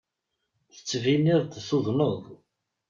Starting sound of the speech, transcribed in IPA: θ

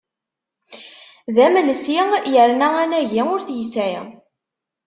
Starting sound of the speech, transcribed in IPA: ð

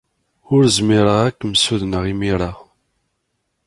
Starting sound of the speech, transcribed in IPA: ʊ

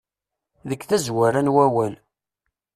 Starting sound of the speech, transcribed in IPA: ð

